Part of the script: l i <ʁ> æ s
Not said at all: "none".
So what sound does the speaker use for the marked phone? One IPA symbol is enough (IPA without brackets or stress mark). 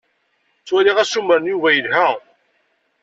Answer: ʁ